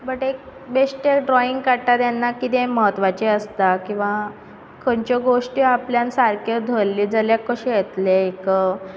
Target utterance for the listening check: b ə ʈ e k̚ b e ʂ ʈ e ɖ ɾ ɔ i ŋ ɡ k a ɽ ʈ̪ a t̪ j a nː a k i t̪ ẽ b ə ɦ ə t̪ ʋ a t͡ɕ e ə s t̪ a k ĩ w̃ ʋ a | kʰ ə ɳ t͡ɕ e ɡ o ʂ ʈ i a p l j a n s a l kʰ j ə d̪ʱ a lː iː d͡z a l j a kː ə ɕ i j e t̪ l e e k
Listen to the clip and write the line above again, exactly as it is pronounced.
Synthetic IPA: b ə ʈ e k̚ b e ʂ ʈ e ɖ ɾ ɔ i ŋ ɡ k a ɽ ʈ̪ a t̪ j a nː a k i t̪ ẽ m ə ɦ ə t̪ ʋ a t͡ɕ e ə s t̪ a k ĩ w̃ ʋ a | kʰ ə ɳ t͡ɕ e ɡ o ʂ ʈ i a p l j a n s a ɾ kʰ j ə d̪ʱ ə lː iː d͡z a l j a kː ə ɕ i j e t̪ l e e k